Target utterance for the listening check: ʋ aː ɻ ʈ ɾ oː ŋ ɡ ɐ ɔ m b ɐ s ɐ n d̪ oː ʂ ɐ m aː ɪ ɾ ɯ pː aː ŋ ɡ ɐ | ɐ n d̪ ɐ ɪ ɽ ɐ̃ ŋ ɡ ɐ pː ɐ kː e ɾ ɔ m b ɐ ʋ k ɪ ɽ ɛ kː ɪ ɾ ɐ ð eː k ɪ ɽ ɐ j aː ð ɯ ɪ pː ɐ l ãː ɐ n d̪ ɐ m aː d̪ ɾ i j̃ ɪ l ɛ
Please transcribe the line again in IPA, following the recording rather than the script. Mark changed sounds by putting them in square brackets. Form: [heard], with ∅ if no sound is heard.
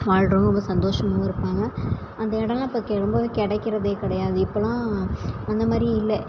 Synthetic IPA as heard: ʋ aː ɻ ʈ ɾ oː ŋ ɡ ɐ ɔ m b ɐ s ɐ n d̪ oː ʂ ɐ m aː ɪ ɾ ɯ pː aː ŋ ɡ ɐ | ɐ n d̪ ɐ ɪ ɽ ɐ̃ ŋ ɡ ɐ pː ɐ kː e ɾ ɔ m b ɐ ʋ k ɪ ɽ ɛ kː ɪ ɾ ɐ ð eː k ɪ ɽ ɐ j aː ð ɯ ɪ pː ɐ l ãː ɐ n d̪ ɐ m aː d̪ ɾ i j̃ ɪ [lː] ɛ